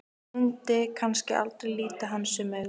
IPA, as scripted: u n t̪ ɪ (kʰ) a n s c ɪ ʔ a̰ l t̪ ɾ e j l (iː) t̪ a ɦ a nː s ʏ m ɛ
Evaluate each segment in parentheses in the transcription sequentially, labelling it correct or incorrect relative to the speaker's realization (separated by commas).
correct, correct